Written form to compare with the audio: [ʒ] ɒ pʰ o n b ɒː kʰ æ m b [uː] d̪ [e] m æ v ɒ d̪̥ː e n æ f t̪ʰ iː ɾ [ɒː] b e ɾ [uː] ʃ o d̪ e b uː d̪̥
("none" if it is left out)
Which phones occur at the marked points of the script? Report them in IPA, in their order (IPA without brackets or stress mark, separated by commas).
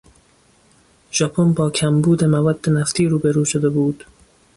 ʒ, uː, e, uː, uː